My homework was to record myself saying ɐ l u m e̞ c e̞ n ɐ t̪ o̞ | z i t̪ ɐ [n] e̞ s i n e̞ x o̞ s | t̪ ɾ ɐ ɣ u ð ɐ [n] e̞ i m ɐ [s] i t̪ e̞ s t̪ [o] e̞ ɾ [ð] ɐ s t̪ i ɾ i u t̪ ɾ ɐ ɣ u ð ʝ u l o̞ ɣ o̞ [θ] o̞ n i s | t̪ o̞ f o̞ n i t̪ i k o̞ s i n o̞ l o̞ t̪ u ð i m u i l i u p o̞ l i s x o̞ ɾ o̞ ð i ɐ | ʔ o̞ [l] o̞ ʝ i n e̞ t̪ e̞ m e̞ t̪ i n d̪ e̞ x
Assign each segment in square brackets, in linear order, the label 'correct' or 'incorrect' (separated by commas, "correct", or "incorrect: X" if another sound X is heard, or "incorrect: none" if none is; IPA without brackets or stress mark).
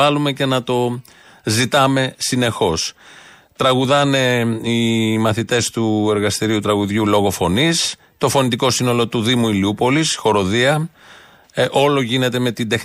incorrect: m, correct, incorrect: θ, incorrect: u, incorrect: ɣ, incorrect: f, correct